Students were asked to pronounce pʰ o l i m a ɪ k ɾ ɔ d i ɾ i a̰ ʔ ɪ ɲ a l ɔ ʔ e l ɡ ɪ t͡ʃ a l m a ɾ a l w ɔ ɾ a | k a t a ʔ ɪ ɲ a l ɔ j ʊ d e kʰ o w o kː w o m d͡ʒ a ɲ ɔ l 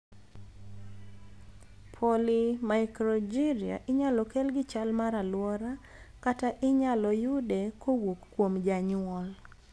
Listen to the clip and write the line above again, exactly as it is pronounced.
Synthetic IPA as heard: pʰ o l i m a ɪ k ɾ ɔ d͡ʒ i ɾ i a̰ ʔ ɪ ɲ a l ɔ k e l ɡ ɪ t͡ʃ a l m a ɾ a l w ɔ ɾ a | k a t a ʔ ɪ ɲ a l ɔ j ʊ d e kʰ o w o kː w o m d͡ʒ a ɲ ɔ l